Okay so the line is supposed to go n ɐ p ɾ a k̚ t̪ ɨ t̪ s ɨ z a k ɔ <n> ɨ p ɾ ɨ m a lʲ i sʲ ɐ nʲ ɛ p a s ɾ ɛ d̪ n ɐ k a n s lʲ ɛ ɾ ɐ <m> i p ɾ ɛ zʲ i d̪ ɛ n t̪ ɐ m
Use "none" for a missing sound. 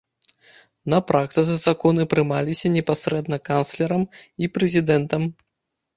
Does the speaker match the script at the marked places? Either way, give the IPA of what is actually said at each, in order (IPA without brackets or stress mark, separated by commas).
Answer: n, m